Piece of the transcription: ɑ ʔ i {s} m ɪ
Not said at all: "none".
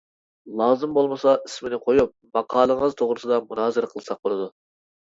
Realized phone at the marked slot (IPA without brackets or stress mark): s